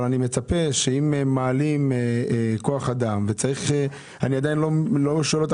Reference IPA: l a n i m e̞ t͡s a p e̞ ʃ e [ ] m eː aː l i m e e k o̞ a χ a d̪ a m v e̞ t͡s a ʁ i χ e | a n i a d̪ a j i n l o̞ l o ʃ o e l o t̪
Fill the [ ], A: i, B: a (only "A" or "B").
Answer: A